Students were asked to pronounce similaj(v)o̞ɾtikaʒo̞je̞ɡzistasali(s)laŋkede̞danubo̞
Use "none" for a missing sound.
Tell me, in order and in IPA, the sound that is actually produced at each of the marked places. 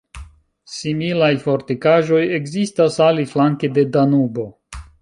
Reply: f, f

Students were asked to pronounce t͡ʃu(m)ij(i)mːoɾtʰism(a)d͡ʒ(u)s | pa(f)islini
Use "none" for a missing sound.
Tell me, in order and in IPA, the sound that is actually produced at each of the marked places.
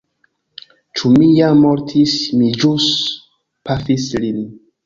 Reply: m, a, i, u, f

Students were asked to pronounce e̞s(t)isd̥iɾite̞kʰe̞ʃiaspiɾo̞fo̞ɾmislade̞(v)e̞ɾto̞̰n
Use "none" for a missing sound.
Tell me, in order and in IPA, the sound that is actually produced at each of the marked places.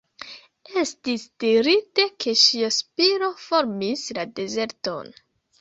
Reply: t, z

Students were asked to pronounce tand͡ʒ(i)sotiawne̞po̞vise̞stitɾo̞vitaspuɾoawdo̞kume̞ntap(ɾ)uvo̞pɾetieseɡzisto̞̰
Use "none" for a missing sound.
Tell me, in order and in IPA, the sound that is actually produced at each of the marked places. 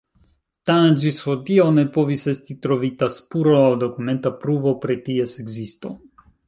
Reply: i, ɾ

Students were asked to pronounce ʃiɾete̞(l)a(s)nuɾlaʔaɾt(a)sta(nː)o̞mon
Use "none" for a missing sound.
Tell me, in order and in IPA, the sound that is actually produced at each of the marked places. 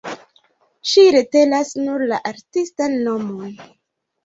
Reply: l, s, i, nː

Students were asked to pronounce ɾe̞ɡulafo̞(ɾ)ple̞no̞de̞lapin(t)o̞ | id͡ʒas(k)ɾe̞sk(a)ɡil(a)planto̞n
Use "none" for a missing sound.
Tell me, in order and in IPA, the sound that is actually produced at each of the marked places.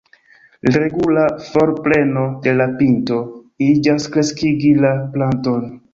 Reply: ɾ, t, k, i, a

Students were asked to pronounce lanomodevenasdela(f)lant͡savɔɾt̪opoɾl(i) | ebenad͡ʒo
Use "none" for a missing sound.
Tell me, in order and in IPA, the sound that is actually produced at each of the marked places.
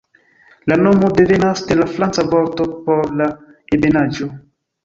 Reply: f, a

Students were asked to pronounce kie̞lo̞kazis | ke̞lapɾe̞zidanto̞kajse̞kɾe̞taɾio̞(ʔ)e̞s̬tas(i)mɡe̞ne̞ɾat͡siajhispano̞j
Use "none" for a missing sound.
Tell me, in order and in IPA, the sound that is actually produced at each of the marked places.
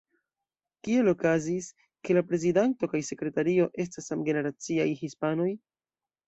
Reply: ʔ, a

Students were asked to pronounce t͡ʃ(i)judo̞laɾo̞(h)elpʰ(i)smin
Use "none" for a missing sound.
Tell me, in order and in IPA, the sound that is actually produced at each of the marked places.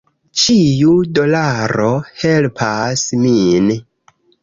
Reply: i, h, a

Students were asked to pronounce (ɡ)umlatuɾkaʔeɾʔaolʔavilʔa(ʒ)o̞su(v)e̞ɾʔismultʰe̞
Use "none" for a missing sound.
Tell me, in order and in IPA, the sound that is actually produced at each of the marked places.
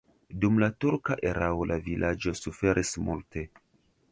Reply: d, d͡ʒ, f

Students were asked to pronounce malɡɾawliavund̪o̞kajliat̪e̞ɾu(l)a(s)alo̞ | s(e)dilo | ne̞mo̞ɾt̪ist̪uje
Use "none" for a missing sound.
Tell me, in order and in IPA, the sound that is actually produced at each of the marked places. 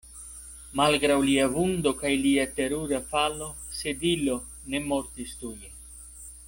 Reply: ɾ, f, e

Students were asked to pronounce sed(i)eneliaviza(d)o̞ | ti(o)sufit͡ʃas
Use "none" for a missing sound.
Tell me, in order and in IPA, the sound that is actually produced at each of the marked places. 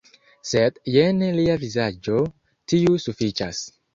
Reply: j, d͡ʒ, u

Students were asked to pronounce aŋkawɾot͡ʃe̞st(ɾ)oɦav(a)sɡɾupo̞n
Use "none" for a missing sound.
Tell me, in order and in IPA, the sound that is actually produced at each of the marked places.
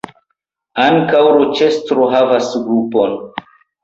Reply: ɾ, a

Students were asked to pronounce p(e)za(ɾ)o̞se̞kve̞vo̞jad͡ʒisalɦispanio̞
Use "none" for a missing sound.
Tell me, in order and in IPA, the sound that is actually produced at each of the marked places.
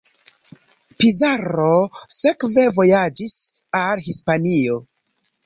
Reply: i, ɾ

